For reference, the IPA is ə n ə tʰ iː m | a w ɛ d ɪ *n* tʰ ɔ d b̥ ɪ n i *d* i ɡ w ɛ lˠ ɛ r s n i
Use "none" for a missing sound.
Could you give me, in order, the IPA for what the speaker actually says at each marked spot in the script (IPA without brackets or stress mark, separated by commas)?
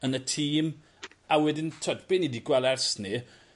n, d